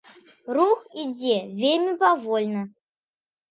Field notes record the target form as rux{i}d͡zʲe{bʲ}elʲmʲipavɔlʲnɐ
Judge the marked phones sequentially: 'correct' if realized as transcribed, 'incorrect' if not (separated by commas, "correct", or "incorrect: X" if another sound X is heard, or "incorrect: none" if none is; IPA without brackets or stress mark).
correct, incorrect: vʲ